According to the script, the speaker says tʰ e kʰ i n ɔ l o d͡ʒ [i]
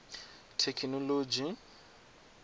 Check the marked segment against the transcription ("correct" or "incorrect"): correct